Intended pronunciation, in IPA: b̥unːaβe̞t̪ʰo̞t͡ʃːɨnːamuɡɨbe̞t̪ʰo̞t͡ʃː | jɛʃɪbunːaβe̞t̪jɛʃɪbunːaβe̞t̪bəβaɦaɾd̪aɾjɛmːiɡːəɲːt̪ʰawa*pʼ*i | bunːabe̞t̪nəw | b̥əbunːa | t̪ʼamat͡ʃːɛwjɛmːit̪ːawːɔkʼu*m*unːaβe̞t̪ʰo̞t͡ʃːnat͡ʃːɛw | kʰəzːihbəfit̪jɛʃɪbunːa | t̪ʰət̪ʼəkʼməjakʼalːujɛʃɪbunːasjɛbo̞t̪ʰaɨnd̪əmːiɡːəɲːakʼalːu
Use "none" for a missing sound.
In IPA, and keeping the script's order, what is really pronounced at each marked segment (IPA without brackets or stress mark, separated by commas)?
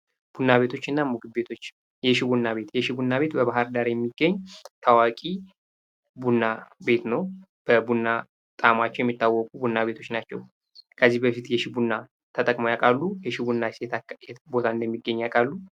kʼ, b